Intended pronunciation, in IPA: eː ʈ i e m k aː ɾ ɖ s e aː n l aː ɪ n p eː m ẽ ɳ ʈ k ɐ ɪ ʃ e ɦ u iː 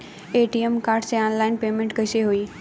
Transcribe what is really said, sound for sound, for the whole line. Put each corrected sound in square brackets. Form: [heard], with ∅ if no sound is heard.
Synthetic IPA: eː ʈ i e m k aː ɾ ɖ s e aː n l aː ɪ n p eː m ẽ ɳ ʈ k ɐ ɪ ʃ e ɦ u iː